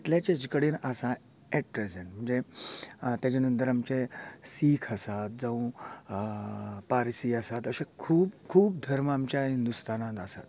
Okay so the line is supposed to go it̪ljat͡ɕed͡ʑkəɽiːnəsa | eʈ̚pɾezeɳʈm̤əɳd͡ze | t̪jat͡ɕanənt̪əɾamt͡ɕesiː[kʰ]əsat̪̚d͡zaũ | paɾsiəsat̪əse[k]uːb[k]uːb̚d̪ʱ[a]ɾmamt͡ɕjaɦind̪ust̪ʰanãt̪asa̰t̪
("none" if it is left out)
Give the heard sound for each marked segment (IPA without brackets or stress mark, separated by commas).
kʰ, kʰ, kʰ, ə